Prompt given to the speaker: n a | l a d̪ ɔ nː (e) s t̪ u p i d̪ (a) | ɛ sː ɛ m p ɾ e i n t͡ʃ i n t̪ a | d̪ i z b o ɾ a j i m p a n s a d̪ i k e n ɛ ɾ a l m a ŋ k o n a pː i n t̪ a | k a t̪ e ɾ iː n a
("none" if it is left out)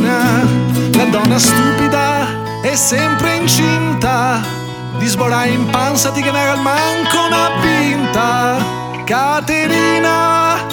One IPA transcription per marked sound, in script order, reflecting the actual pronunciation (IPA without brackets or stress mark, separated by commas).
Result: a, a